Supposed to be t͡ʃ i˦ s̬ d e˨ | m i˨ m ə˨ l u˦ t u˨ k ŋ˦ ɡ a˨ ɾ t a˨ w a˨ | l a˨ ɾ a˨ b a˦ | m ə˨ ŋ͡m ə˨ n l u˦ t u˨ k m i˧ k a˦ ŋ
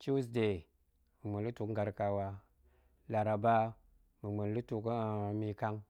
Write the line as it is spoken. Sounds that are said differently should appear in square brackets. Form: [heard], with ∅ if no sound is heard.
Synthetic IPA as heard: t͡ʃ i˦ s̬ d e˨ | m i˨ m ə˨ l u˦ t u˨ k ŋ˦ ɡ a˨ ɾ [k] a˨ w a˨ | l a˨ ɾ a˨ b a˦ | m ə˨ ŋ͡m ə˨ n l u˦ t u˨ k m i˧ k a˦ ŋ

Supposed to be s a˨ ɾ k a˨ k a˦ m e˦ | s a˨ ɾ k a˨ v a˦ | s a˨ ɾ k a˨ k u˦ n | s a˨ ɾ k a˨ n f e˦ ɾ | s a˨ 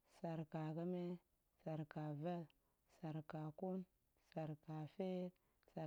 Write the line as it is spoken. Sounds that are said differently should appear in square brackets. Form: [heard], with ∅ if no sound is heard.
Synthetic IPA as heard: s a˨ ɾ k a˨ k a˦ m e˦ | s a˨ ɾ k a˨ v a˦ | s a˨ ɾ k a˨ k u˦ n | s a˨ ɾ k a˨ [∅] f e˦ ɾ | s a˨

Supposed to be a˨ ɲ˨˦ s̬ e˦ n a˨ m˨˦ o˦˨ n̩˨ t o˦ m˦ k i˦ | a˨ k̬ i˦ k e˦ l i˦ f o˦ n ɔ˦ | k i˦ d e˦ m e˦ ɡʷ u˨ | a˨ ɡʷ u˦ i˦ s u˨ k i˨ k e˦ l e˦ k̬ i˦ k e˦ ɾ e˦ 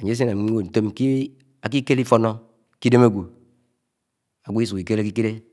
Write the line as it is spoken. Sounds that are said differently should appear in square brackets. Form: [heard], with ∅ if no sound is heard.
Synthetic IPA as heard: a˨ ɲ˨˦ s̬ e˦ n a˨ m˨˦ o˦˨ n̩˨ t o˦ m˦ k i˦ | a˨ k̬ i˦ k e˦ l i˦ f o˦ n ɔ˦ | k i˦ d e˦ m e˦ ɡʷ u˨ | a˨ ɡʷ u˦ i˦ s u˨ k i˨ k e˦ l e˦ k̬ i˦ k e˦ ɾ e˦

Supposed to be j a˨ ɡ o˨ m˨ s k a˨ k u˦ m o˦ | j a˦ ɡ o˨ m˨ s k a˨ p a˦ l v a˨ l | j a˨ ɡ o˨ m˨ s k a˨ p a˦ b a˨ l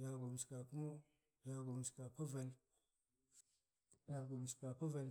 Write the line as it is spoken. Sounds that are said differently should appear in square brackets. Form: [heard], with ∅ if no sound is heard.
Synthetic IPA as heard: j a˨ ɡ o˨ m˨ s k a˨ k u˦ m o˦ | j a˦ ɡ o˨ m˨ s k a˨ p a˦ [∅] v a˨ l | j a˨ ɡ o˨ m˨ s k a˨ p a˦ [v] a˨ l

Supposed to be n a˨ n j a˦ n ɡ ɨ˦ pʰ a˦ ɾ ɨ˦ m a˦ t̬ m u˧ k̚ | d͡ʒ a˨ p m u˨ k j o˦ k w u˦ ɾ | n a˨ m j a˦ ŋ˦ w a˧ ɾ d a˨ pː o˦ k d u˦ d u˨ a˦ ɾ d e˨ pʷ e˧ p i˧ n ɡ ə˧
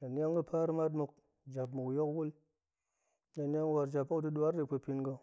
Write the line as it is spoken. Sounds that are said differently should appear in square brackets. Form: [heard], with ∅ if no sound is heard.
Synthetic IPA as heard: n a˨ n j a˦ [ŋ] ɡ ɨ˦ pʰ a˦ ɾ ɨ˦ m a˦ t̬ m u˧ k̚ | d͡ʒ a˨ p m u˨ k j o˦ k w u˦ [l] | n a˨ [n] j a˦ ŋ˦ w a˧ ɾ [d͡ʒ] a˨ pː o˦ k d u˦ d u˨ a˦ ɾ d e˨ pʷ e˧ p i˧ n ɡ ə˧

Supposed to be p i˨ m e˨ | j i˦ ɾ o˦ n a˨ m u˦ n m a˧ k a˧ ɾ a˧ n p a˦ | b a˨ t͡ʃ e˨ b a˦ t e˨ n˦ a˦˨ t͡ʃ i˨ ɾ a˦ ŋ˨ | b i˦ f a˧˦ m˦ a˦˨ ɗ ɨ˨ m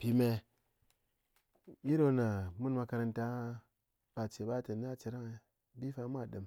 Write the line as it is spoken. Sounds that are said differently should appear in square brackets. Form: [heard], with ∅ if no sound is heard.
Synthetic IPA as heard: p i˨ m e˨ | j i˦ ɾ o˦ n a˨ m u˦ n m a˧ k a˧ ɾ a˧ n [t] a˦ | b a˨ t͡ʃ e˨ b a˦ t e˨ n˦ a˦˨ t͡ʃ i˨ ɾ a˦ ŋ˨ | b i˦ f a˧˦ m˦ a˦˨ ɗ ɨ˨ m

